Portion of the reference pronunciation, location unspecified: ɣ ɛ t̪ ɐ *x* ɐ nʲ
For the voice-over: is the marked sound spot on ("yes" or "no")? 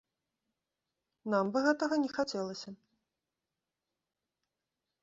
no